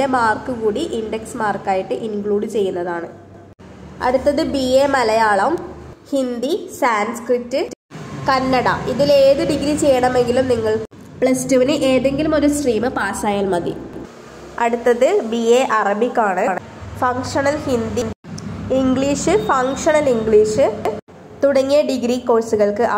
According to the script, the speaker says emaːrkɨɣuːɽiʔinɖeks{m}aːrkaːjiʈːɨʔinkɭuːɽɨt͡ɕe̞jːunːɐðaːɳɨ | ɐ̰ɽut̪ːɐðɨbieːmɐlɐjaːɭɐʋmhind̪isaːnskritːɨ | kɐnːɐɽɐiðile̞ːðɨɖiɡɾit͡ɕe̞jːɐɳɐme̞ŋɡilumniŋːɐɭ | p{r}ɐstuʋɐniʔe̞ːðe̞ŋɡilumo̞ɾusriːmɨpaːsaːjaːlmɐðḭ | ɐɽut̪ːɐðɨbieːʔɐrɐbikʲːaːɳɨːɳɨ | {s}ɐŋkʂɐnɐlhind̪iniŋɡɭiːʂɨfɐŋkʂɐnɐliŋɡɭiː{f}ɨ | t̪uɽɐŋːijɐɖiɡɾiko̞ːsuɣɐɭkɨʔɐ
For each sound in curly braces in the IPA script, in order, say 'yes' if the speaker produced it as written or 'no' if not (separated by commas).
yes, no, no, no